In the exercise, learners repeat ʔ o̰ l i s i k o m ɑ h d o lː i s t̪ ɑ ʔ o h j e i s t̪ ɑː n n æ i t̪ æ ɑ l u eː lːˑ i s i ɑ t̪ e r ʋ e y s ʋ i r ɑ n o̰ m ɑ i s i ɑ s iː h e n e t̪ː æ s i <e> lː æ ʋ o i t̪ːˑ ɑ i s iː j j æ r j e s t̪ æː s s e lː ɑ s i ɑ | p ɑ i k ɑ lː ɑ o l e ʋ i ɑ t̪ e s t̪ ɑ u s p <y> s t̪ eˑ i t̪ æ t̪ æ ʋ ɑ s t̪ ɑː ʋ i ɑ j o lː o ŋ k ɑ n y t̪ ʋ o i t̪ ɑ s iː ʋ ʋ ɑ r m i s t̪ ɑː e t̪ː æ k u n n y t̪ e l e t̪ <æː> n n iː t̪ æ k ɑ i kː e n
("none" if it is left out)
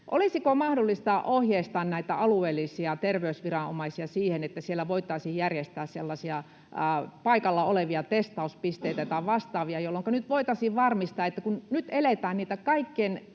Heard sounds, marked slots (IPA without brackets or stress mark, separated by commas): e, i, æː